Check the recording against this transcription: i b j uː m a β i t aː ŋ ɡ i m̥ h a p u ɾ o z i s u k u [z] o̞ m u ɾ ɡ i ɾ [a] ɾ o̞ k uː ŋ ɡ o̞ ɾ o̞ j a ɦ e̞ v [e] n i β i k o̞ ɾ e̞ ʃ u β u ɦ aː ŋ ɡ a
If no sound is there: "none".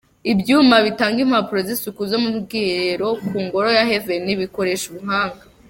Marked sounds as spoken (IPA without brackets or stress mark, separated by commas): z, e, e